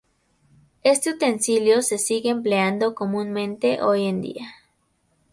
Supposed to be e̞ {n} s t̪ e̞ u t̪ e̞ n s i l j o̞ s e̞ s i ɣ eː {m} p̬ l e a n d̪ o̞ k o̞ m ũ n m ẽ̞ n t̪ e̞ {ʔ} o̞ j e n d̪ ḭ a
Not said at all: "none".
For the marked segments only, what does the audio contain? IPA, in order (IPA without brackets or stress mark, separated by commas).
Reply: none, m, ʔ